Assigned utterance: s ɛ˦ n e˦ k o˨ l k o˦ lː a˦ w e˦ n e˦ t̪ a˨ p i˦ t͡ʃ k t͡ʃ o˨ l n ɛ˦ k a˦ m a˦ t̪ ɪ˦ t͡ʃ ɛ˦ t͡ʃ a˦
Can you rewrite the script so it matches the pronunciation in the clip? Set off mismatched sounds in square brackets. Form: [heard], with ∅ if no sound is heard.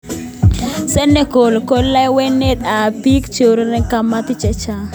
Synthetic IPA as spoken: s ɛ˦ n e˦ k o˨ l k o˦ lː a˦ w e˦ n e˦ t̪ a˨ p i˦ [∅] k t͡ʃ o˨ [ɾ] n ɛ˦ k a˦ m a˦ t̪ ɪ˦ t͡ʃ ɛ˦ t͡ʃ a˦